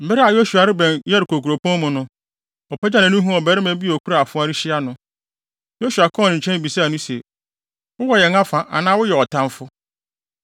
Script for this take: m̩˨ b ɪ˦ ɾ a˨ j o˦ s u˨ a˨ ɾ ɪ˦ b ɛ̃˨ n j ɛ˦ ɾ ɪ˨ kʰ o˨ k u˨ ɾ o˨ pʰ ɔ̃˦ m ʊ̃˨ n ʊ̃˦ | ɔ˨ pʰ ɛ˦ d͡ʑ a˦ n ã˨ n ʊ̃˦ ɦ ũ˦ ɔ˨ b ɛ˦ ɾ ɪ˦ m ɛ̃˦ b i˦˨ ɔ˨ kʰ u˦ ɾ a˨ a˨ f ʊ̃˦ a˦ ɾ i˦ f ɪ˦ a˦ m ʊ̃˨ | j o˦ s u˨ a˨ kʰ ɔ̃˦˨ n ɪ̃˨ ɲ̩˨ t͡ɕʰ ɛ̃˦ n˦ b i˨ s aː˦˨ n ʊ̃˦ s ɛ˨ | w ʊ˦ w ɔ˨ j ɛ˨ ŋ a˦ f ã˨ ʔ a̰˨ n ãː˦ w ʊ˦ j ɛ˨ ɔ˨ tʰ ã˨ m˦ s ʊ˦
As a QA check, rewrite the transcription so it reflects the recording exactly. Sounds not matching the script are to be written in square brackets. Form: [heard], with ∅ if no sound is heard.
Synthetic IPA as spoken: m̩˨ b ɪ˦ ɾ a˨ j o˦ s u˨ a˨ ɾ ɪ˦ b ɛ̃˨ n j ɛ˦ ɾ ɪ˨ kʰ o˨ k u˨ ɾ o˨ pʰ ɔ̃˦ m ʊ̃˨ n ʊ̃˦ | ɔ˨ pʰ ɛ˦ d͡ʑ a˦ n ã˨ n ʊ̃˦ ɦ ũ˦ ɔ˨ b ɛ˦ ɾ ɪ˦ m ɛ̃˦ b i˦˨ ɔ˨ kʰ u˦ ɾ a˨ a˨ f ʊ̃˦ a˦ ɾ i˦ [ɕ] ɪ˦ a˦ [n] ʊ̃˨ | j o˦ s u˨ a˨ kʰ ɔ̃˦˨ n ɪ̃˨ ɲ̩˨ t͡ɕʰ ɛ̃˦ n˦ b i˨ s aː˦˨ n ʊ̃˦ s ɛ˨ | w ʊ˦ w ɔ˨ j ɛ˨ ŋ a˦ f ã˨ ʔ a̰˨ n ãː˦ w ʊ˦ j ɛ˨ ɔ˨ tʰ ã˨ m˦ [f] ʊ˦